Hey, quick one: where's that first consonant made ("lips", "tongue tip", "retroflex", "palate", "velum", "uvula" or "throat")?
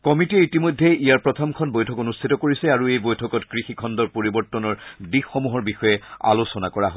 velum